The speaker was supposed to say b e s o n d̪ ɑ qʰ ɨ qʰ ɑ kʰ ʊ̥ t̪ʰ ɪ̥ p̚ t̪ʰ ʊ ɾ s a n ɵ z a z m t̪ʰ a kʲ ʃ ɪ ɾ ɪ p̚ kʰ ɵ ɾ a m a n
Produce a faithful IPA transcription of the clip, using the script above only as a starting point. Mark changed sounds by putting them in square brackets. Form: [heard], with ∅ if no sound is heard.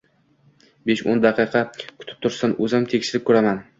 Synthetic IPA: b e [ʃ] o n d̪ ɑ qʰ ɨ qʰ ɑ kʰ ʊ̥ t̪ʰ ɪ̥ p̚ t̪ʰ ʊ ɾ s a n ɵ z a [∅] m t̪ʰ [e] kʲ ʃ ɪ ɾ ɪ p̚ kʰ ɵ ɾ a m a n